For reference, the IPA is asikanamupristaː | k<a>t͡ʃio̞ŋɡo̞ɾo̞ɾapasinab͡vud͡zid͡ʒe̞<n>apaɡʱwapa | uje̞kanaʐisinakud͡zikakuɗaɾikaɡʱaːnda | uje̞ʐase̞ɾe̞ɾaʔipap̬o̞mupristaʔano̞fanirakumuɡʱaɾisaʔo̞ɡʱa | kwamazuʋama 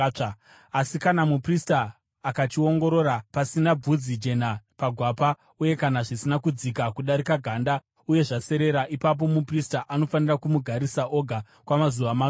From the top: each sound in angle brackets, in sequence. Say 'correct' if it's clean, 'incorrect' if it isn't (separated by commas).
correct, correct